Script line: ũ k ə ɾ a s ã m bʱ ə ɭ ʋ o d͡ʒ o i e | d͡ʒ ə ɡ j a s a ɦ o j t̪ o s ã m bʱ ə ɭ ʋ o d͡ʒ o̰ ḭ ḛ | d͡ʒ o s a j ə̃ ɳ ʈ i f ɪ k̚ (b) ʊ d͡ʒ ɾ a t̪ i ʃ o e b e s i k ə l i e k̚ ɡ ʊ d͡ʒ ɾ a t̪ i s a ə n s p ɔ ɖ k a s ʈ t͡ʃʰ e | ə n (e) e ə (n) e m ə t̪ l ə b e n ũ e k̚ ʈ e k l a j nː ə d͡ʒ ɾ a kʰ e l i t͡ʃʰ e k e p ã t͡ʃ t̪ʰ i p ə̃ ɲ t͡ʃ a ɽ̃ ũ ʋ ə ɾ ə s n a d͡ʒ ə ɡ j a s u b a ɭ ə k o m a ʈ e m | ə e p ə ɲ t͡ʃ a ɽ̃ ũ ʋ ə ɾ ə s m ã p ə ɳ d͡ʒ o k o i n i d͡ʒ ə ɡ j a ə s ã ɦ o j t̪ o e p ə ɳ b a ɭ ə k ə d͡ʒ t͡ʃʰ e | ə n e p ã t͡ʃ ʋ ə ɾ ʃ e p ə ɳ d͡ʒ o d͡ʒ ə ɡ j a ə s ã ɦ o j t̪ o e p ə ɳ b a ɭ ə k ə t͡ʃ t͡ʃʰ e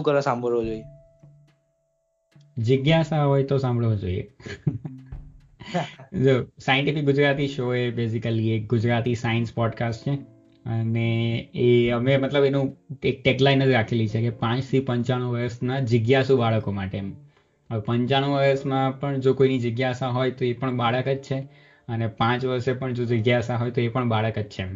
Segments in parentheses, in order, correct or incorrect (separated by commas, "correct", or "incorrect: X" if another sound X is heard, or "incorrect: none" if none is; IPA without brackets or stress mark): incorrect: ɡ, correct, incorrect: m